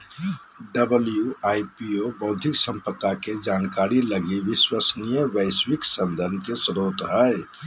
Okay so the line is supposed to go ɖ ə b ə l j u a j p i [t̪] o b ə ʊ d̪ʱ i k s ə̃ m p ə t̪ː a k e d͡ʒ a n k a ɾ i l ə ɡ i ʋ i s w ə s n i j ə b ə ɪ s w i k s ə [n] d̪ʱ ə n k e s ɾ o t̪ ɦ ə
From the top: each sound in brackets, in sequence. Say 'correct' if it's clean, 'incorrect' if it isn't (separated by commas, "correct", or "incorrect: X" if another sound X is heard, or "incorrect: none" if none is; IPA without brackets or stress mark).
incorrect: none, correct